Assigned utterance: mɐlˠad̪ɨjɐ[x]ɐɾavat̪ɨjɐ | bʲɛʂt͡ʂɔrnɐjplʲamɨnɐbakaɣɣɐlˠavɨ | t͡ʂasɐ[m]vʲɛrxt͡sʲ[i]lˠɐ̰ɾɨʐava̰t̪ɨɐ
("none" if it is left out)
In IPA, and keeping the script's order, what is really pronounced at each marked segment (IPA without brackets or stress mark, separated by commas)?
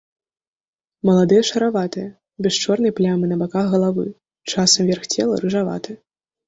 ʂ, m, ɛ